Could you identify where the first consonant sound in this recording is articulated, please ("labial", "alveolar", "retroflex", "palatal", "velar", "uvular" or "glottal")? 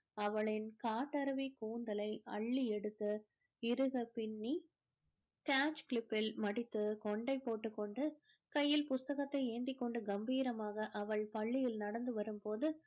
labial